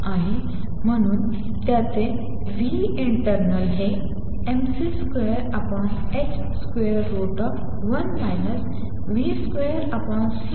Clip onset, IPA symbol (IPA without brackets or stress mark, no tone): a